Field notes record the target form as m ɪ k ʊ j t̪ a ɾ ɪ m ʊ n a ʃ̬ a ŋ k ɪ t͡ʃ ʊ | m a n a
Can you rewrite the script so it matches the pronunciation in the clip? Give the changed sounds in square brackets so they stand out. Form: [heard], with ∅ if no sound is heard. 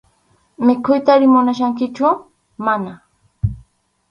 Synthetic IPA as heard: m ɪ k ʊ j t̪ a ɾ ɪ m ʊ n a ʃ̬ a ŋ k ɪ t͡ʃ ʊ | m a n a

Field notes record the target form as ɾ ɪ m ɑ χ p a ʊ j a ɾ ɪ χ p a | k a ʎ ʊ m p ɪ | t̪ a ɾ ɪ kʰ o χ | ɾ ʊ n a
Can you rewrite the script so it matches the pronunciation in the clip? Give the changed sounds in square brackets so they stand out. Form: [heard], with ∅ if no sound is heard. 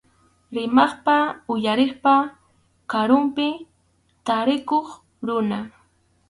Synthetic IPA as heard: ɾ ɪ m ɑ χ p a ʊ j a ɾ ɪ χ p a | k a [ɾ] ʊ m p ɪ | t̪ a ɾ ɪ [k] o χ | ɾ ʊ n a

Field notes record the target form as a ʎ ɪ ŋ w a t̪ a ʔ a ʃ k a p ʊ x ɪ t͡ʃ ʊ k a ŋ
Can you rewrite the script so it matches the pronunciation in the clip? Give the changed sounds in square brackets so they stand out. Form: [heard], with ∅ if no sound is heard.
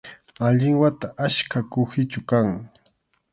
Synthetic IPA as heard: a ʎ ɪ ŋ w a t̪ a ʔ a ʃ k a [k] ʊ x ɪ t͡ʃ ʊ k a ŋ

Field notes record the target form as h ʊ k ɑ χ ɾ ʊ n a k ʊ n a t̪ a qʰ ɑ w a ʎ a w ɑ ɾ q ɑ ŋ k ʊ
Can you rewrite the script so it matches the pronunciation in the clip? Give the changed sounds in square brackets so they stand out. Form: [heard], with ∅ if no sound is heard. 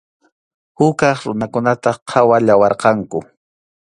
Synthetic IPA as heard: h ʊ k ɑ χ ɾ ʊ n a k ʊ n a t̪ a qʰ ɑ w a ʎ a w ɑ ɾ q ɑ ŋ k ʊ

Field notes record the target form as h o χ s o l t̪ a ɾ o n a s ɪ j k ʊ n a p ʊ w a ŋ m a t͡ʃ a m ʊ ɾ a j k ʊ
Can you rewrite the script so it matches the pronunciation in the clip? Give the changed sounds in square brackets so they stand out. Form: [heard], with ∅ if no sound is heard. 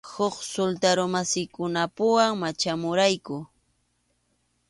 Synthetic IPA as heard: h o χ s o l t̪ a ɾ o [m] a s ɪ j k ʊ n a p ʊ w a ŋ m a t͡ʃ a m ʊ ɾ a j k ʊ

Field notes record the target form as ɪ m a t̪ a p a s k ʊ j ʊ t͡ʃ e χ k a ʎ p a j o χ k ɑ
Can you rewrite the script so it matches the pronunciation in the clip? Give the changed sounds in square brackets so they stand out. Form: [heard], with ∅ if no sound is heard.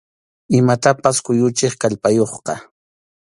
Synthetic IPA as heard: ɪ m a t̪ a p a s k ʊ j ʊ t͡ʃ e χ k a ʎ p a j o χ [q] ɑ

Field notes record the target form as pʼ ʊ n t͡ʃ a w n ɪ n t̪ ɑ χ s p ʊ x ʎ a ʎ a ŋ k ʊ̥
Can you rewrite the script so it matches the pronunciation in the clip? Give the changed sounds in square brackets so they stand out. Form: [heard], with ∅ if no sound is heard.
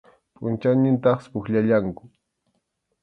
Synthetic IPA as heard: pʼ ʊ n t͡ʃ a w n ɪ n t̪ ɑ χ s p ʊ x ʎ a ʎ a ŋ k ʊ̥

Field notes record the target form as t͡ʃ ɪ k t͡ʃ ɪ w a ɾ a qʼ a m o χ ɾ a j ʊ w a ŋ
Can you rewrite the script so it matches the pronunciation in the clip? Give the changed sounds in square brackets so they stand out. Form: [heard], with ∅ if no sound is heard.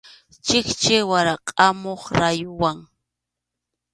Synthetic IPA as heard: t͡ʃ ɪ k t͡ʃ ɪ w a ɾ a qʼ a m o χ ɾ a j ʊ w a ŋ

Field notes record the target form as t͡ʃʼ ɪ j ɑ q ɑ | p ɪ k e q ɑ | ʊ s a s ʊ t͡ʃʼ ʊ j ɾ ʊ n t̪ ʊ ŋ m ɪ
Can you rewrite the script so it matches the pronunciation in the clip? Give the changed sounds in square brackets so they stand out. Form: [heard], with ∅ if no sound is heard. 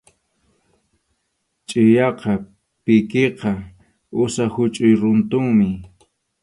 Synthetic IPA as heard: t͡ʃʼ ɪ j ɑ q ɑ | p ɪ k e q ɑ | ʊ s a [h] ʊ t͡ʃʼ ʊ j ɾ ʊ n t̪ ʊ ŋ m ɪ

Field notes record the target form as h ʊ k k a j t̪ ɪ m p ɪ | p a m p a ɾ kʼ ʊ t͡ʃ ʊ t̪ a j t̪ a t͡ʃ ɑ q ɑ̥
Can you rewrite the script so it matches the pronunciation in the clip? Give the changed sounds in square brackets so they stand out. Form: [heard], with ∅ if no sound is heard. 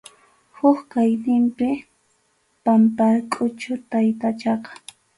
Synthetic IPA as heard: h ʊ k k a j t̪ ɪ m p ɪ | p a m p a ɾ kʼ ʊ t͡ʃ ʊ t̪ a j t̪ a t͡ʃ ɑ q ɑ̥

